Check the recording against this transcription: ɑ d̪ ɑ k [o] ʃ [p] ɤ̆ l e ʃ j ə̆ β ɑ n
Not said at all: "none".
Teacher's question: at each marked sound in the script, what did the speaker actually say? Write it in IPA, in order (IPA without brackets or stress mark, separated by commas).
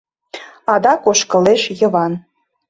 o, k